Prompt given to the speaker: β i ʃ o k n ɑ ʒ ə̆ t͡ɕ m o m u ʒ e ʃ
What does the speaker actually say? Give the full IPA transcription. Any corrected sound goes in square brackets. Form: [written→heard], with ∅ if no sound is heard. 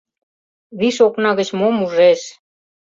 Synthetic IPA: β i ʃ o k n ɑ [ʒ→ɣ] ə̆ t͡ɕ m o m u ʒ e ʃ